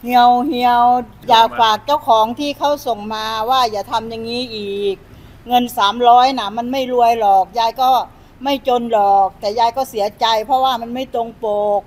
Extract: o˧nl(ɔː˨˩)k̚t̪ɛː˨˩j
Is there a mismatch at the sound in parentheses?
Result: no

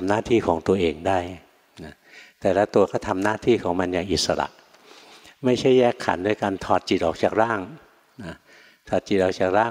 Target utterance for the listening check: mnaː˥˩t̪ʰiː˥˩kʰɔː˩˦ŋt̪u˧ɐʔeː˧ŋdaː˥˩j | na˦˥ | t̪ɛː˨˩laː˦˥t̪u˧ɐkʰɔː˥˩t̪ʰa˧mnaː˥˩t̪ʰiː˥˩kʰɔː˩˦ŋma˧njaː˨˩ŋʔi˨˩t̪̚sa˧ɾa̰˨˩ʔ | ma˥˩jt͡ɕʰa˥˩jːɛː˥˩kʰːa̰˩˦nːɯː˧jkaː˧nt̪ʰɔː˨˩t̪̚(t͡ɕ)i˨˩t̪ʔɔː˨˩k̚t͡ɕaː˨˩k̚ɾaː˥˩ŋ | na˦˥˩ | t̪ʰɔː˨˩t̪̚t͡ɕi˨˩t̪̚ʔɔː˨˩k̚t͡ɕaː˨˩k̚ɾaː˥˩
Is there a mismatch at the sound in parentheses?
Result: no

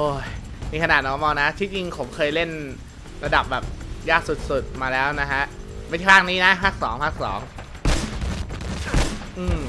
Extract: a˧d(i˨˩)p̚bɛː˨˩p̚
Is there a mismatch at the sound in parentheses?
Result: yes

